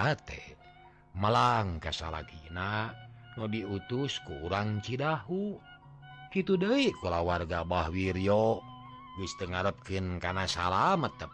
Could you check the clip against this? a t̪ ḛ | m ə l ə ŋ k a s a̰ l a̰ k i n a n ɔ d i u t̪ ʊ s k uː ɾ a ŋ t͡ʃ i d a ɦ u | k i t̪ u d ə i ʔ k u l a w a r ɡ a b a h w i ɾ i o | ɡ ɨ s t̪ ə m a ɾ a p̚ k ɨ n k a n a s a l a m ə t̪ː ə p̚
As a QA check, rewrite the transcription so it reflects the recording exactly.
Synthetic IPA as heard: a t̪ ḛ | m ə l a ŋ k a s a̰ l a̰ k i n a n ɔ d i u t̪ u s k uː ɾ a ŋ t͡ʃ i d a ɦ u | k i t̪ u d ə i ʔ k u l a w a r ɡ a b a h w i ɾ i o | ɡ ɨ s t̪ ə ŋ a ɾ ə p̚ k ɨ n k a n a s a l a m ə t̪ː ə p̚